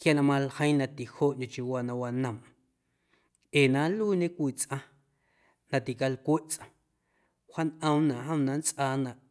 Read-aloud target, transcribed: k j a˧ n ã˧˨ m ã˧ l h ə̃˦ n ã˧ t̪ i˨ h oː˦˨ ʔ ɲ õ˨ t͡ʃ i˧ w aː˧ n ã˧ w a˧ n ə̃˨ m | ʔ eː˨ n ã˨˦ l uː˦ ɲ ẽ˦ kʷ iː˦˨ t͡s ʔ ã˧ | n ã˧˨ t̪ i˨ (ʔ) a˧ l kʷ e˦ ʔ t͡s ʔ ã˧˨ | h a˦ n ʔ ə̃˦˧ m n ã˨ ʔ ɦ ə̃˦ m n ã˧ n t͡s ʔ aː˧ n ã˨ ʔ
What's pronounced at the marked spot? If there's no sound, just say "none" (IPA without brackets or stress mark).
k